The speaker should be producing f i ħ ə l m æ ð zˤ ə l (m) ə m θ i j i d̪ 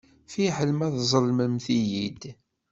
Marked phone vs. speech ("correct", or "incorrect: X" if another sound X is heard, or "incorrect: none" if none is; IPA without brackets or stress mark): correct